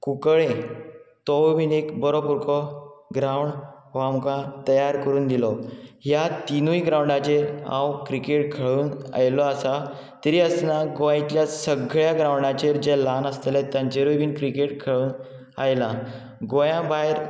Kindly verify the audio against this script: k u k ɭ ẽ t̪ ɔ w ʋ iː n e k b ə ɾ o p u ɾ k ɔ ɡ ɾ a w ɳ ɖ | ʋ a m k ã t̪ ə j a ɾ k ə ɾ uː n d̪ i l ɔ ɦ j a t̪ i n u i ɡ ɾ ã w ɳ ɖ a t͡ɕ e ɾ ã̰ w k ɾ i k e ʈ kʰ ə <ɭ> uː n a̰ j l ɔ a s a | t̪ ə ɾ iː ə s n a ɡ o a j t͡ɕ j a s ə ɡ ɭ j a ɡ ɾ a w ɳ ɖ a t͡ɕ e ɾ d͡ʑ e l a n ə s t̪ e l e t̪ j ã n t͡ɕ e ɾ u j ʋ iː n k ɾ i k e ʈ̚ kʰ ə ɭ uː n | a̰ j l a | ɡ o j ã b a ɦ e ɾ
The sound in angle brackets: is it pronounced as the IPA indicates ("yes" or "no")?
yes